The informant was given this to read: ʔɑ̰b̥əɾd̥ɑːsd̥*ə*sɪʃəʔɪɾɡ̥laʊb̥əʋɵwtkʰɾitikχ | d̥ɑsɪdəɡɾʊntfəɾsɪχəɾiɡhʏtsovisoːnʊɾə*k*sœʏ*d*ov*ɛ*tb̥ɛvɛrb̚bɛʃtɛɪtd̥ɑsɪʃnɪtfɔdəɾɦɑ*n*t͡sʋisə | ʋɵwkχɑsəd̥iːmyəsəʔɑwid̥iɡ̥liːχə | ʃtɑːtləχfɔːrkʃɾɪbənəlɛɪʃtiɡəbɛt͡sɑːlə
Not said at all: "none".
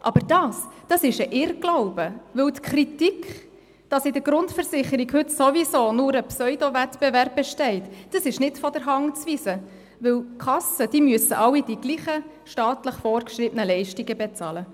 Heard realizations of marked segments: ɑ, p, d, ɛ, ŋ

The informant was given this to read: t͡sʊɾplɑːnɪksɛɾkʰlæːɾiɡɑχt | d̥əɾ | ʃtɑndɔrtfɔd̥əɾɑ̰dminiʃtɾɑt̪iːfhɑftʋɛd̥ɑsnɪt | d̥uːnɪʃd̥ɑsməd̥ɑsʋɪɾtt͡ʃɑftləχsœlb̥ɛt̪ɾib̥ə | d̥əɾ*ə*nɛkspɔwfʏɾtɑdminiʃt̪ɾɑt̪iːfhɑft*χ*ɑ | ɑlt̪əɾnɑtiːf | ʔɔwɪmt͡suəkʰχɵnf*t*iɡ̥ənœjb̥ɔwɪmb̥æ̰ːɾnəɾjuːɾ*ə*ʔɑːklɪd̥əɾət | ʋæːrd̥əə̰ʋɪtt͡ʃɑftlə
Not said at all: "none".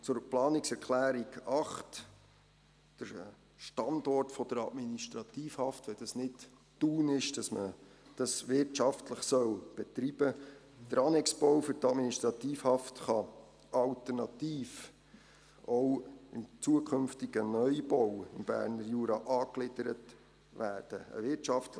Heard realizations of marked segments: ɑ, χ, t, ɑ

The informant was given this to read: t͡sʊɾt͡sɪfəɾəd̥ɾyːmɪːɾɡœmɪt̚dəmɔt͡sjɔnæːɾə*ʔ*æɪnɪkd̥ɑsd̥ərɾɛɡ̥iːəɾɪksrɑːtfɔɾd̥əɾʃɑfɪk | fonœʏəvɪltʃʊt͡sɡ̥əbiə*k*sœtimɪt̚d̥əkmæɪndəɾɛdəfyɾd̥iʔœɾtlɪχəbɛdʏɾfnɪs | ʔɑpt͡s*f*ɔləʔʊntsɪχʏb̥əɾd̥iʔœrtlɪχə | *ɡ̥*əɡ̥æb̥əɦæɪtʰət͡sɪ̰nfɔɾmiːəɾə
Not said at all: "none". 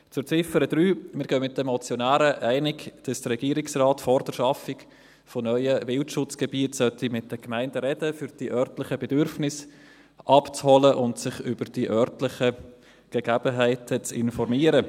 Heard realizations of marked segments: ʔ, t, h, ɡ̥

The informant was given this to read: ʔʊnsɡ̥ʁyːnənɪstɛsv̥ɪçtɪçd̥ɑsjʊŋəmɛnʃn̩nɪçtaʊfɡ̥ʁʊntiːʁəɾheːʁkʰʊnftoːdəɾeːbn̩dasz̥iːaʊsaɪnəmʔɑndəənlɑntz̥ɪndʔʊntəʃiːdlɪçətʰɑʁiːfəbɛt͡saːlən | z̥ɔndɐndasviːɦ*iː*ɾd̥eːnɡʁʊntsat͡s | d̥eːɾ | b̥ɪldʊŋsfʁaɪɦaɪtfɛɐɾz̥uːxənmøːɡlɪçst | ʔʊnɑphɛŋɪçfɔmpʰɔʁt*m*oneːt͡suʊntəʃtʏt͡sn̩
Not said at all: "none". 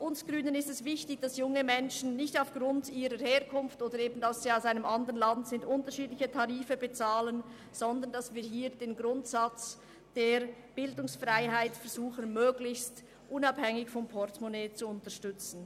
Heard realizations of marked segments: iː, m

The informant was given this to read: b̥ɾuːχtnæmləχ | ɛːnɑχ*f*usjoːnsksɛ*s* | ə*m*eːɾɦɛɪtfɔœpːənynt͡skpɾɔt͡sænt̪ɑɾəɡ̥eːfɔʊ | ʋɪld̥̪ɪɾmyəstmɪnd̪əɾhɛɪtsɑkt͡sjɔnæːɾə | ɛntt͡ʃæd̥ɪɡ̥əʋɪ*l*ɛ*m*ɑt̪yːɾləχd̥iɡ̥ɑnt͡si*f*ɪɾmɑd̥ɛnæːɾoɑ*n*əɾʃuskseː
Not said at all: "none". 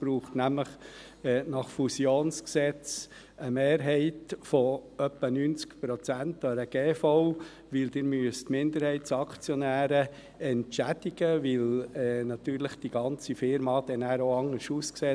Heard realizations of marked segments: f, t͡s, m, l, n, f, ŋ

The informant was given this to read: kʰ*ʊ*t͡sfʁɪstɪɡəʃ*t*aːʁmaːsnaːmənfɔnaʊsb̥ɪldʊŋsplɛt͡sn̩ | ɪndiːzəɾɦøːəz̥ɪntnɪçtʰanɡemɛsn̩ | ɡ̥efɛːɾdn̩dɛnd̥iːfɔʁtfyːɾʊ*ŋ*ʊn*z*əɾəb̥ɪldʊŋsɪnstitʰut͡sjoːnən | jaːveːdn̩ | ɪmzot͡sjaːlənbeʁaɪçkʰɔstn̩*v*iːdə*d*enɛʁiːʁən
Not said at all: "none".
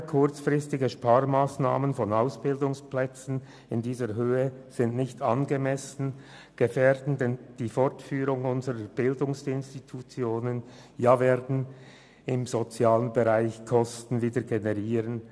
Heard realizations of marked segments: ʊ, p, ŋ, z, v, ɡ

